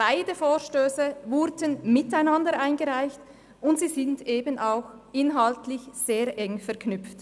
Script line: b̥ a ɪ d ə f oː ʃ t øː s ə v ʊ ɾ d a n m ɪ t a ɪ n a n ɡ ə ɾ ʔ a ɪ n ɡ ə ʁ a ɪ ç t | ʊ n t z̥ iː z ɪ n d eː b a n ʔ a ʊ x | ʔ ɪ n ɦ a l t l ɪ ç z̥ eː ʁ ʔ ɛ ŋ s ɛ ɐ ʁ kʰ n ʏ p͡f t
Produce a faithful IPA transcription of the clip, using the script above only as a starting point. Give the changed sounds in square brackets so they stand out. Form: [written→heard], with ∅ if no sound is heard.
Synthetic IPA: b̥ a ɪ d ə f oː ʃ t øː s ə v ʊ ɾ d [a→ə] n m ɪ t a ɪ n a n [ɡ→d] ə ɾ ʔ a ɪ n ɡ ə ʁ a ɪ ç t | ʊ n t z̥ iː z ɪ n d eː b [a→ə] n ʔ a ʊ x | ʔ ɪ n ɦ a l t l ɪ ç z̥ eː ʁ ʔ ɛ ŋ [s→f] ɛ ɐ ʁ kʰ n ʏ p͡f t